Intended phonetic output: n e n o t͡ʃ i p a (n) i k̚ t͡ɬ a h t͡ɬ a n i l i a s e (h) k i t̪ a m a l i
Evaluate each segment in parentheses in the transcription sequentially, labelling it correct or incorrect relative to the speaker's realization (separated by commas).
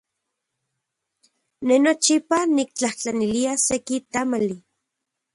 correct, incorrect